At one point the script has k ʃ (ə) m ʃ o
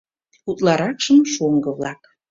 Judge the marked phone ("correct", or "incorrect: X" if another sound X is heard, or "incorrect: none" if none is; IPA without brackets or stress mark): correct